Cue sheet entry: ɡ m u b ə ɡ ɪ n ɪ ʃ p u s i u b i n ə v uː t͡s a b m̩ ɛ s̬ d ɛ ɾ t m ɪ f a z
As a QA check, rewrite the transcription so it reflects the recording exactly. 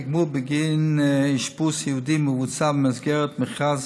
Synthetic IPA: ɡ m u b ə ɡ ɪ n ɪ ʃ p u s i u d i m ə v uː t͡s a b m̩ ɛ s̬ ɡ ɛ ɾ t m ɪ χ a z